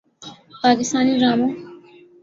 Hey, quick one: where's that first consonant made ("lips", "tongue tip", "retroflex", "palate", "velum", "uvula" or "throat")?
lips